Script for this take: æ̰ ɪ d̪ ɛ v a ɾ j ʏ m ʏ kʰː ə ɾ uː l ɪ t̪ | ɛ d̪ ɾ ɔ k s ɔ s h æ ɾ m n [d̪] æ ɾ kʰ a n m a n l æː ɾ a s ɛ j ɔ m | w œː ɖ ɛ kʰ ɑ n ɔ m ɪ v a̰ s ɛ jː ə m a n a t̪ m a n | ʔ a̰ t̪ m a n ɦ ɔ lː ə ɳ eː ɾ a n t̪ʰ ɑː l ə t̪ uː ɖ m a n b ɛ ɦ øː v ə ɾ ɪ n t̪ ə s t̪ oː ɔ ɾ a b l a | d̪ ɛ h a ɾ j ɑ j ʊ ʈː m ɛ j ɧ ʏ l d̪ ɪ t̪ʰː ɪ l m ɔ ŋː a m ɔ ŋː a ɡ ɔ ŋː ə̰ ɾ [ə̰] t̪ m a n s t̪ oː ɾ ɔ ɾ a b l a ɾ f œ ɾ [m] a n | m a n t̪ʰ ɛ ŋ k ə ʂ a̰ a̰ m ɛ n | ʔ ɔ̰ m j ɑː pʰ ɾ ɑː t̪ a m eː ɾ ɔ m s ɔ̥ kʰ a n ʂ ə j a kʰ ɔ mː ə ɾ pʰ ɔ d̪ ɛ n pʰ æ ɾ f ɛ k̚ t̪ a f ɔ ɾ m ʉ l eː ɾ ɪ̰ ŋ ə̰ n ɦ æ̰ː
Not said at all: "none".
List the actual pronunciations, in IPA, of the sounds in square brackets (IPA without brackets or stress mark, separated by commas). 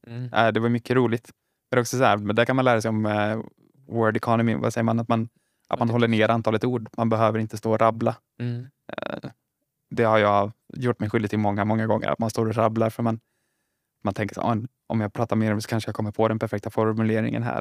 d̪, a̰, m